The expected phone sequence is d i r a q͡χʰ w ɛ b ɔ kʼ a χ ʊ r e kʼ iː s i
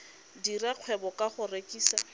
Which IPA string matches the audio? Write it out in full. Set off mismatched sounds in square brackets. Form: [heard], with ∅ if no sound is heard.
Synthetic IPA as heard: d i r a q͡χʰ w ɛ b ɔ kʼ a χ ʊ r e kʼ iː s [a]